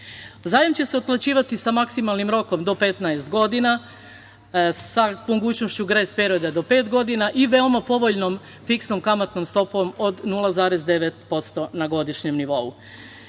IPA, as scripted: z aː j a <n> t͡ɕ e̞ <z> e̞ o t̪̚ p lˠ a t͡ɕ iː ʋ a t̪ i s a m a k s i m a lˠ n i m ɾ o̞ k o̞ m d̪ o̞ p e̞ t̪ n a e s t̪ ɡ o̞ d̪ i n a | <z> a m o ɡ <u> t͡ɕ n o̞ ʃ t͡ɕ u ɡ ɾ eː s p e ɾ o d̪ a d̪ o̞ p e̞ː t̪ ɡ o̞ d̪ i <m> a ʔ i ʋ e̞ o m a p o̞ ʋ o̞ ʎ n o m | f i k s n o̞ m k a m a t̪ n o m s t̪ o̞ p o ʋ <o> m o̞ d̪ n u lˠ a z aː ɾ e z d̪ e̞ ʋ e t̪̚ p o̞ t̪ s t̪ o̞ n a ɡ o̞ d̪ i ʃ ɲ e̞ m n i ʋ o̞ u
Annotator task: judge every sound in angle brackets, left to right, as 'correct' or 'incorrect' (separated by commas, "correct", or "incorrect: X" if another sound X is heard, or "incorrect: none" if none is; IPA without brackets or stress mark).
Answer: incorrect: m, incorrect: s, incorrect: s, incorrect: uː, incorrect: n, correct